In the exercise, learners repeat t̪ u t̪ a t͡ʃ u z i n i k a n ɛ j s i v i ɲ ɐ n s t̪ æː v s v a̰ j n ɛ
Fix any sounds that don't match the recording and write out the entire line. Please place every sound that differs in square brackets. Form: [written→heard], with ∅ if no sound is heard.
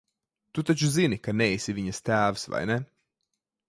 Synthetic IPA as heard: t̪ u t̪ a t͡ʃ u z i n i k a n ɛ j s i v i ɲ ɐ [n→∅] s t̪ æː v s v a̰ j n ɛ